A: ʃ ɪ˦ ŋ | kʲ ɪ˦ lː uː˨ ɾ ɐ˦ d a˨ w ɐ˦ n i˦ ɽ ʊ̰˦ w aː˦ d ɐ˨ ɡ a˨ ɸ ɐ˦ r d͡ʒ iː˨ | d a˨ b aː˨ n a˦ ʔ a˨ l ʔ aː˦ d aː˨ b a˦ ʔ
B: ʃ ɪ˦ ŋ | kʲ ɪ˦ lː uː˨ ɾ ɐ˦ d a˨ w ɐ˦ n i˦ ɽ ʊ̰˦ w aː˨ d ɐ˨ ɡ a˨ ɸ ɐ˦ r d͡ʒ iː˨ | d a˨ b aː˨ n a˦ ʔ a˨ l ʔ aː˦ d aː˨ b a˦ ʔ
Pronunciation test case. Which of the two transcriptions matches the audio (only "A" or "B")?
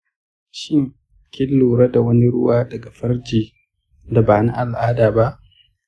A